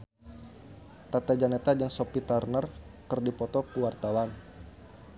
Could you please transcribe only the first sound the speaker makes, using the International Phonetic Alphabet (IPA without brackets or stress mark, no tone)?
t̪